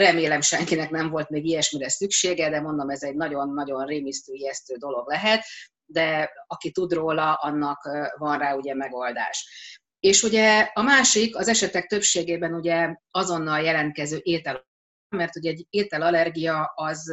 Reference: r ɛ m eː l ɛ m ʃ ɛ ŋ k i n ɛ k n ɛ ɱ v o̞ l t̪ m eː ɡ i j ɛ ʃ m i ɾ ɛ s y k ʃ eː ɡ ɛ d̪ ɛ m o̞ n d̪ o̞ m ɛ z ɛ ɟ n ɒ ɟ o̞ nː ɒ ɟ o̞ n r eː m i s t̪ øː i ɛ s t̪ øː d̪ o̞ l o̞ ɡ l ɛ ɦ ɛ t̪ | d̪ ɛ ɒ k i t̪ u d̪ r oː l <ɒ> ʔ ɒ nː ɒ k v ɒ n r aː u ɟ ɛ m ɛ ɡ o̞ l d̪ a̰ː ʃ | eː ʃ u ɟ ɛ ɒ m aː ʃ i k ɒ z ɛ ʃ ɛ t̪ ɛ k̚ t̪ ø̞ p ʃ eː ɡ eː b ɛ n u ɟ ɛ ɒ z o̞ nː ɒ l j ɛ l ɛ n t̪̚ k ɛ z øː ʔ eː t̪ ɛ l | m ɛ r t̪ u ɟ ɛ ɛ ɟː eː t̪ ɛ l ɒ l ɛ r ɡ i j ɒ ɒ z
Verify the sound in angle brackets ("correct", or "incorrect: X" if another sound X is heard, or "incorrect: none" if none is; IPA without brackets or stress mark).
correct